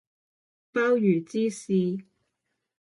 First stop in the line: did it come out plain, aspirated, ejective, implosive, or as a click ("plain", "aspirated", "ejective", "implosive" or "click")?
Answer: plain